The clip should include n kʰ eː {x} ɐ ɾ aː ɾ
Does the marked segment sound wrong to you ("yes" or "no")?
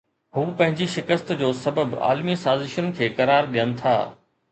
yes